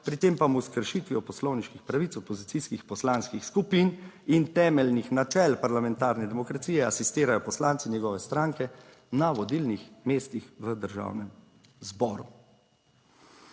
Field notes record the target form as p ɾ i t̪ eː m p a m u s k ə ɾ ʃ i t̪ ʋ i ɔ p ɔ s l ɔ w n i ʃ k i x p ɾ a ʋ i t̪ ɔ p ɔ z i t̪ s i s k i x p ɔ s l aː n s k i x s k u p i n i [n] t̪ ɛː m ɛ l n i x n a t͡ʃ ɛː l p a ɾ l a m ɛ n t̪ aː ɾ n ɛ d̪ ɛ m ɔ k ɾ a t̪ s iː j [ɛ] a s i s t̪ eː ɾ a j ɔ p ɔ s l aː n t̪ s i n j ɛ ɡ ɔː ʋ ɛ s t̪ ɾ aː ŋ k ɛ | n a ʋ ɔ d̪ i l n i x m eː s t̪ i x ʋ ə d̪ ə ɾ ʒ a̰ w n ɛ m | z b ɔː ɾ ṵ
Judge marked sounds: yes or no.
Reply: yes, yes

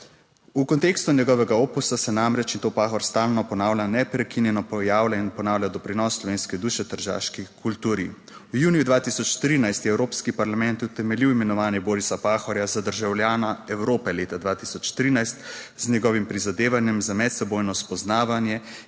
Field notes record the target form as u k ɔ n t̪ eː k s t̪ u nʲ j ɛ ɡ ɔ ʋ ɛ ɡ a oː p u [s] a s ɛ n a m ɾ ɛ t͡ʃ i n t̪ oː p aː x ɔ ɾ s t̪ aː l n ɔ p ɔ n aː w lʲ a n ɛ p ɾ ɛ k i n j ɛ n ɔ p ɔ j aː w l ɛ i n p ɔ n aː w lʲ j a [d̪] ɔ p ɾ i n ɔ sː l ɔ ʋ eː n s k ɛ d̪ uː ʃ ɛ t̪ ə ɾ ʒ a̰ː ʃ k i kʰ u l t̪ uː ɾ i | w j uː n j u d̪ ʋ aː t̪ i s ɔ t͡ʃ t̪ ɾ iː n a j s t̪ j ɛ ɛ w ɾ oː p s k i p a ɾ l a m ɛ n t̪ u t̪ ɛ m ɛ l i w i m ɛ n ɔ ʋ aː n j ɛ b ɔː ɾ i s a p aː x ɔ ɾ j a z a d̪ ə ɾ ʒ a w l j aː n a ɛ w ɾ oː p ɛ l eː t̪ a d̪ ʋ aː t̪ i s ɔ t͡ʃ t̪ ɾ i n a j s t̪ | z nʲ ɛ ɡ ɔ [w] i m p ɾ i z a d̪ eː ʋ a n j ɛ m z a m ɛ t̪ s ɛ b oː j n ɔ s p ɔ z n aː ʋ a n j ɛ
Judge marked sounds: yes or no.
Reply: yes, yes, no

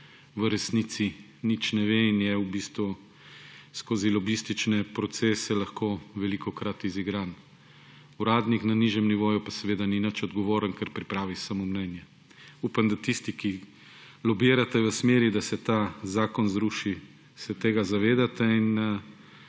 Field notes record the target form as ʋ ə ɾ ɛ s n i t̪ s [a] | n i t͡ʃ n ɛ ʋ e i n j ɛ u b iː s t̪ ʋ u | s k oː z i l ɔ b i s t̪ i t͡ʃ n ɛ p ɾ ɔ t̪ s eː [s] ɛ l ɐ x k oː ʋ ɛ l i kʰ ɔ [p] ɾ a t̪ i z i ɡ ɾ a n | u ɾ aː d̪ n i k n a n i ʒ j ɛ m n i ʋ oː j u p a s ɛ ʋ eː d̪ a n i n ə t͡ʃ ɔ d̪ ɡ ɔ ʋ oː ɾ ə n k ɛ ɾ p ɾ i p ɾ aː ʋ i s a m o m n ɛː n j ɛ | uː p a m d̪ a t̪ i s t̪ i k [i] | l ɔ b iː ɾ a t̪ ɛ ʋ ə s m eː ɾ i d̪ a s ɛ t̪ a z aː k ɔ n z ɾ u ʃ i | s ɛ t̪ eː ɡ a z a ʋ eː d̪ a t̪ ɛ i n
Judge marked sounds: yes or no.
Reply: no, yes, no, yes

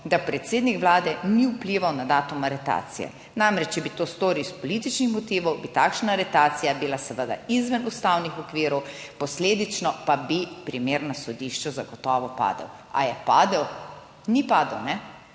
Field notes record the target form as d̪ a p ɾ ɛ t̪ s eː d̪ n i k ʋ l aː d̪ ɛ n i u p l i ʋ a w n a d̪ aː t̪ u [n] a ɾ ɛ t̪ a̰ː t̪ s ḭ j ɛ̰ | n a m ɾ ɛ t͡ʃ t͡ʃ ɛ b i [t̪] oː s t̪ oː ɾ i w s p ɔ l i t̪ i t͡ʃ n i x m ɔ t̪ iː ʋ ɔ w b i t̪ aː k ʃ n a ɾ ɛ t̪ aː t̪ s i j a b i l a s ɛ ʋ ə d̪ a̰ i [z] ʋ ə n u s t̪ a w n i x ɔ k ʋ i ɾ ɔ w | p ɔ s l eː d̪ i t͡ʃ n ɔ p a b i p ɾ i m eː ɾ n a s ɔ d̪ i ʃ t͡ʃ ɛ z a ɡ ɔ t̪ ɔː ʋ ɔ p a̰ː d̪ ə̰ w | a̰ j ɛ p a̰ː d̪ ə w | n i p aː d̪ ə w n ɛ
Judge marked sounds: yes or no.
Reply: no, yes, yes

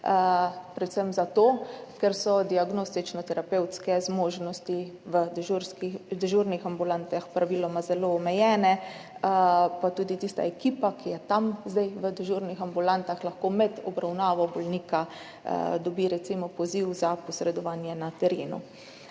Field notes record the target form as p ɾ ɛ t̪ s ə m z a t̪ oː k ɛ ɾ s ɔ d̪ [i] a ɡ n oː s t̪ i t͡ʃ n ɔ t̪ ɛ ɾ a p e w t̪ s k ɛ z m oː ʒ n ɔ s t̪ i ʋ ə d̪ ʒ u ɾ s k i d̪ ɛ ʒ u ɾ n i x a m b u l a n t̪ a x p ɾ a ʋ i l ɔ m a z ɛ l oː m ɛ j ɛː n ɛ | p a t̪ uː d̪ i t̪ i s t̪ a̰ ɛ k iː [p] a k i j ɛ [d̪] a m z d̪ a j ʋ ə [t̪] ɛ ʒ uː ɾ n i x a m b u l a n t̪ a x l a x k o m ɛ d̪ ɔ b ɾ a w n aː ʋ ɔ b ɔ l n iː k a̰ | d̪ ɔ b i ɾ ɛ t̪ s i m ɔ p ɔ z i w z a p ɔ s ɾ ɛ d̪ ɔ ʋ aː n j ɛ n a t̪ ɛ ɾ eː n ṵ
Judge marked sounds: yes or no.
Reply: yes, yes, no, no

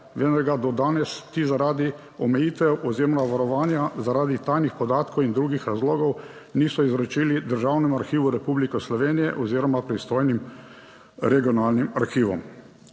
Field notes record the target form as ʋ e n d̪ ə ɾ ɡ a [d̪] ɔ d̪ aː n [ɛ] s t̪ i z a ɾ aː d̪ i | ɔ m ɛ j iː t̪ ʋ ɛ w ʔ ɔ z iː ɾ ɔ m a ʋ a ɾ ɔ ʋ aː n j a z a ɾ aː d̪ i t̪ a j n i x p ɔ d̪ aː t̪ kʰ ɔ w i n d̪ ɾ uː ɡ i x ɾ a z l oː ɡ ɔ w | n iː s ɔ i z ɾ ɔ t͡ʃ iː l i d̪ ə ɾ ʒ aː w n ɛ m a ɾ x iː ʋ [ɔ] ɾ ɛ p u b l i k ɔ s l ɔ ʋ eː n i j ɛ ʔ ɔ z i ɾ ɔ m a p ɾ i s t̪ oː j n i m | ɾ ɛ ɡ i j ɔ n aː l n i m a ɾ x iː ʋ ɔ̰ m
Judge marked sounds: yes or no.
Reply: yes, yes, no

